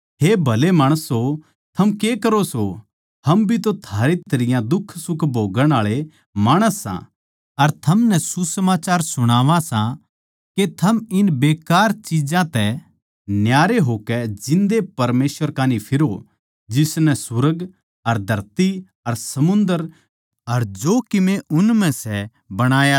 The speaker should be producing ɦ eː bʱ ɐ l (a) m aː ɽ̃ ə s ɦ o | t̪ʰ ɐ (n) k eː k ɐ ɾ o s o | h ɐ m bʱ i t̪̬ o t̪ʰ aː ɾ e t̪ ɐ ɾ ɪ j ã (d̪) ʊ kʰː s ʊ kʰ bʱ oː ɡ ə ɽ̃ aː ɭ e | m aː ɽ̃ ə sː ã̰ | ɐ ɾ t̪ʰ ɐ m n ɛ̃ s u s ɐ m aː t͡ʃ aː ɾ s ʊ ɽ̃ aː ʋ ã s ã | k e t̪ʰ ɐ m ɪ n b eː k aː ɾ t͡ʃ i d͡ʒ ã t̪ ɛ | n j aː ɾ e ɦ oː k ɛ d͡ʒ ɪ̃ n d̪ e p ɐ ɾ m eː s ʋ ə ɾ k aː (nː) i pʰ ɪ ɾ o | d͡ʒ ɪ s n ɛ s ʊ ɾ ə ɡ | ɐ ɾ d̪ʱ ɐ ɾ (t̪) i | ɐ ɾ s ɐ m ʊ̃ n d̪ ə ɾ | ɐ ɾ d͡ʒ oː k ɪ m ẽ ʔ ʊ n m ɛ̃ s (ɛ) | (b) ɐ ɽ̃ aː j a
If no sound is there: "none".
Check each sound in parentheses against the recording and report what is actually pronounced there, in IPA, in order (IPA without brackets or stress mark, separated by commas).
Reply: e, m, d̪, n, t̪, ɛ, b